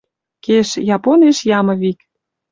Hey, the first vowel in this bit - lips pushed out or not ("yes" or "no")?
no